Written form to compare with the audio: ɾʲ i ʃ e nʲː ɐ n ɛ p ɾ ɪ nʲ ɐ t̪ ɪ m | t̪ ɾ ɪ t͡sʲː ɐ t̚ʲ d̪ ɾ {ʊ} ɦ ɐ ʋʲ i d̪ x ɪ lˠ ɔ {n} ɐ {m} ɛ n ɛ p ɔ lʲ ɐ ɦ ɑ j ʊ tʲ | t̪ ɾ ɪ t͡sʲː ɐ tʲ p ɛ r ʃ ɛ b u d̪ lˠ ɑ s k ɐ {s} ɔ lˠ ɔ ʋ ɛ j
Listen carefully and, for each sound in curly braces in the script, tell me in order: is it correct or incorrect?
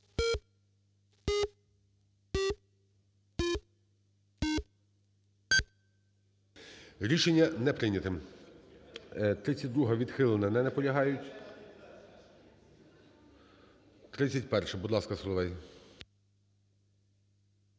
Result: incorrect: u, correct, incorrect: n, correct

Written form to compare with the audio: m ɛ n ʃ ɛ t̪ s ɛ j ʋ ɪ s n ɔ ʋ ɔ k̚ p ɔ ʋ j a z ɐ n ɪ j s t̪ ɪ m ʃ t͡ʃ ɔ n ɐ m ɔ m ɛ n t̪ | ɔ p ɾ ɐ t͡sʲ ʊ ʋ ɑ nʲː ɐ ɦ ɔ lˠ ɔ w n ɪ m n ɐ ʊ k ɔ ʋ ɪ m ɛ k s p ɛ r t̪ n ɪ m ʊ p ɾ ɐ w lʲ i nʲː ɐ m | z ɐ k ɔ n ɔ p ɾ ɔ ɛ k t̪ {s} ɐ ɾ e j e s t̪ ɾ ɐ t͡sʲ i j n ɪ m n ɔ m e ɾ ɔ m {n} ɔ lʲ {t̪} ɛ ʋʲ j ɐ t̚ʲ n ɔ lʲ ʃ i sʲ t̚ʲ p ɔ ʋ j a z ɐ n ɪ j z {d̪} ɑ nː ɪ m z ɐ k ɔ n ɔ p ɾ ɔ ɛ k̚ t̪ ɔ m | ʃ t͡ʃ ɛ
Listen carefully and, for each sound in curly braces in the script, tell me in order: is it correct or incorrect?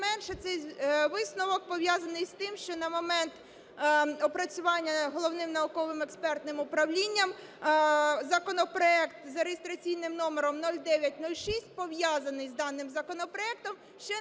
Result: incorrect: z, correct, incorrect: d̪, correct

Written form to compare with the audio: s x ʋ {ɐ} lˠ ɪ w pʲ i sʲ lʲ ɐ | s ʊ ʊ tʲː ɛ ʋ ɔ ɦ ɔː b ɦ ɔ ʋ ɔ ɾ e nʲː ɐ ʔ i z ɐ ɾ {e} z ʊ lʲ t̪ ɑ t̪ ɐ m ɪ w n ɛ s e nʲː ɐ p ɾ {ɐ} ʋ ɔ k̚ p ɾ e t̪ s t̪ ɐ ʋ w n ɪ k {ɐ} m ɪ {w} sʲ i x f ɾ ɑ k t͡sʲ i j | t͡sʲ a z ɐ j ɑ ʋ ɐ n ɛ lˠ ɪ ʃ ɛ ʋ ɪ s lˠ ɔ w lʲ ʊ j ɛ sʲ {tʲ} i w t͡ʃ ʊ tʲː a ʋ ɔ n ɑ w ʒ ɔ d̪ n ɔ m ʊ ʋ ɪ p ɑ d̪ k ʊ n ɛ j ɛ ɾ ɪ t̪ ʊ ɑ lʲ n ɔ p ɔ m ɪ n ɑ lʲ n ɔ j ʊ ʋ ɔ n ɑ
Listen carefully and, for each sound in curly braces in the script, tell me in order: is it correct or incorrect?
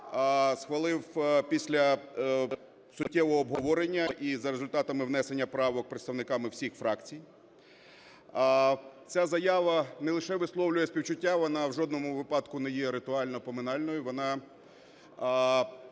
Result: correct, correct, incorrect: ɑ, incorrect: ɑ, correct, incorrect: pʲ

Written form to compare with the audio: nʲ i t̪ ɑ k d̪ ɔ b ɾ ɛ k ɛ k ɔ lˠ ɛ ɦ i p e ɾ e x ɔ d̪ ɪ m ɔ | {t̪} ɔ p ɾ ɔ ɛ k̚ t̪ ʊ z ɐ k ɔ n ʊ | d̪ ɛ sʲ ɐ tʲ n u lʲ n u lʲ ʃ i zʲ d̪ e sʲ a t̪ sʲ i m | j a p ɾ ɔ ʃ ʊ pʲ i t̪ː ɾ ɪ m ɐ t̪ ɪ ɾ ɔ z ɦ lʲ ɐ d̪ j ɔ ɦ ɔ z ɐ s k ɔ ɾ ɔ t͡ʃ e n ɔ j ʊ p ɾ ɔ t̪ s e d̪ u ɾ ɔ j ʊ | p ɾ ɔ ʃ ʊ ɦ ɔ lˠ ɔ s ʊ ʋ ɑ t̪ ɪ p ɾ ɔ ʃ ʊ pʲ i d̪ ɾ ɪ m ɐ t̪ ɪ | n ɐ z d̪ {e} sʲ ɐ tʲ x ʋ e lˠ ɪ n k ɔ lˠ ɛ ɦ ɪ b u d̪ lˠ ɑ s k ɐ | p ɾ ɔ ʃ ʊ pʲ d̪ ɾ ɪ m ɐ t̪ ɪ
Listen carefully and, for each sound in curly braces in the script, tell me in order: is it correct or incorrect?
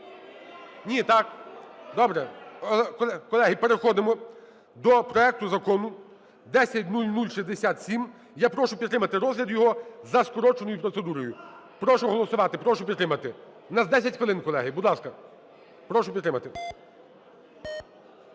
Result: incorrect: d̪, incorrect: ɛ

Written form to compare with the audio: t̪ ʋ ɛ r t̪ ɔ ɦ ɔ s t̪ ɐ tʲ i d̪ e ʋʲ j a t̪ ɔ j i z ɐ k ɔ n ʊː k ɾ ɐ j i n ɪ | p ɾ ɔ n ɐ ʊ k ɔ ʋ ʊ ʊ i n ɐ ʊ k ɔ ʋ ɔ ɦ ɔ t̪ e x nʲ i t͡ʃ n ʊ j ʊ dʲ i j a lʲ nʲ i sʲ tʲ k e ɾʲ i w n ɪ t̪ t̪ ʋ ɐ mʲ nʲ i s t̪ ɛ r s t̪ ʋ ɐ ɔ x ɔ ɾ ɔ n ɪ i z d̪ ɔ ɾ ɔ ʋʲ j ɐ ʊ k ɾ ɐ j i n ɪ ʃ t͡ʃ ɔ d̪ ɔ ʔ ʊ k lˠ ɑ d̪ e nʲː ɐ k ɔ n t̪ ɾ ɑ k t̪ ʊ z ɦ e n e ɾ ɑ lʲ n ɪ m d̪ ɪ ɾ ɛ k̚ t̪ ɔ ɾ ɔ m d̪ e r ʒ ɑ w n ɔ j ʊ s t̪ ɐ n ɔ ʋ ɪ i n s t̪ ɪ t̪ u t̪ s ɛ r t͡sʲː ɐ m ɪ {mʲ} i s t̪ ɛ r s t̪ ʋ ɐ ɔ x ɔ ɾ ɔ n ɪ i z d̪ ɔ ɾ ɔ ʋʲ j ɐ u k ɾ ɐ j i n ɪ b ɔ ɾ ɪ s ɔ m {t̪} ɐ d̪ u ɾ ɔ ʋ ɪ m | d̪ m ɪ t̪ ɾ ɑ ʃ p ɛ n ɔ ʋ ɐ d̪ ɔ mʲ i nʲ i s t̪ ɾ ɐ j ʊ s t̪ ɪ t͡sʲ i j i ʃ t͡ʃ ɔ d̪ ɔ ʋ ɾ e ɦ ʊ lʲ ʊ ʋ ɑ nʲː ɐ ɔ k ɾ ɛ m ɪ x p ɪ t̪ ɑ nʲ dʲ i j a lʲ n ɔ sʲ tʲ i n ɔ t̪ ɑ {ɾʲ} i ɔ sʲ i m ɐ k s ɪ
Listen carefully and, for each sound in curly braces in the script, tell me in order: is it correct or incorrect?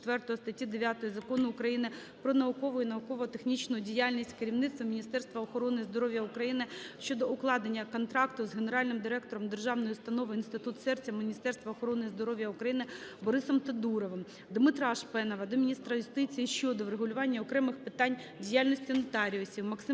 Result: incorrect: nʲ, correct, correct

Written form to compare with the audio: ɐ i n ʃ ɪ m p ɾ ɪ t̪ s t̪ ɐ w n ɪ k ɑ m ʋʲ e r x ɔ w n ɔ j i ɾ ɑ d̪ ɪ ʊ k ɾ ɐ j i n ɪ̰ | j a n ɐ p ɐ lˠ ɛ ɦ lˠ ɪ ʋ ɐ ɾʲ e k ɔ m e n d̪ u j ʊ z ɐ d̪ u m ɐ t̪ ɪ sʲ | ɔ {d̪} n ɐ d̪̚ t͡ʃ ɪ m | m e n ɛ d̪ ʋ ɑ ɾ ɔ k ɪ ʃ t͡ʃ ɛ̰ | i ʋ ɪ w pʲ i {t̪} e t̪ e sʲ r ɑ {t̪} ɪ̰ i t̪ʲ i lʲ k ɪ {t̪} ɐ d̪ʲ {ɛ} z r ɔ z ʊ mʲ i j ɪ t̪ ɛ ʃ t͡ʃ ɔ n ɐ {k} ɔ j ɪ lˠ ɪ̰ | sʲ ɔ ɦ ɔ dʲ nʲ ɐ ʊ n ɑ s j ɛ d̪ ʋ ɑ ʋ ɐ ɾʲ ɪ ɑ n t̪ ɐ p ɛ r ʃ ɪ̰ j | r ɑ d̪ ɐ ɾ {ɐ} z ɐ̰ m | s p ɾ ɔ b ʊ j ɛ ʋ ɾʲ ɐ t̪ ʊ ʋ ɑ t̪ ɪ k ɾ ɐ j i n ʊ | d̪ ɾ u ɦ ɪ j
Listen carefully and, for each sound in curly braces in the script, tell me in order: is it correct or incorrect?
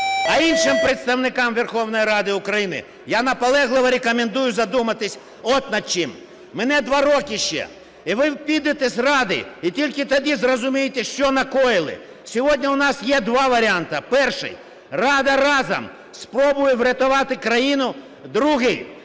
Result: incorrect: t̪, incorrect: d̪, incorrect: d̪, correct, incorrect: i, correct, incorrect: ɑ

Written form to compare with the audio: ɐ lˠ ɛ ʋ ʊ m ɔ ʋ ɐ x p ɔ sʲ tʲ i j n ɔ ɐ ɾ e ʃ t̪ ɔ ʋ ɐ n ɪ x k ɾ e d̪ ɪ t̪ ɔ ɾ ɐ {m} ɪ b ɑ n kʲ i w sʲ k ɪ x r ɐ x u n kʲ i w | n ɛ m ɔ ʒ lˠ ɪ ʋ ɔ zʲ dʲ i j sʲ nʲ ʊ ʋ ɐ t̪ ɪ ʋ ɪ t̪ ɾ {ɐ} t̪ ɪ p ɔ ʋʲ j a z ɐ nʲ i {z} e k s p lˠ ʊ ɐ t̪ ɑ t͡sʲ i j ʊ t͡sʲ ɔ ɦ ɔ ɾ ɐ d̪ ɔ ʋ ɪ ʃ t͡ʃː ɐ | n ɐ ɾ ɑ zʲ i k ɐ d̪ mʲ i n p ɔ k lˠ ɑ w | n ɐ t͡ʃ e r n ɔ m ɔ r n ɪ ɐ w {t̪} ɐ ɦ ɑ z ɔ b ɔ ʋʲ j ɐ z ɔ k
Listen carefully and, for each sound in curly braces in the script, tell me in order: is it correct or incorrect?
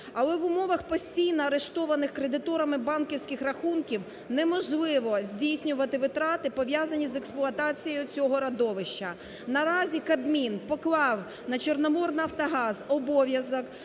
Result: correct, incorrect: ɑ, correct, correct

